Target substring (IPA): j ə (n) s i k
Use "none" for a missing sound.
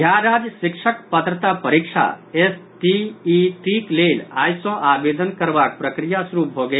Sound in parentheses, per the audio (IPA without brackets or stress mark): none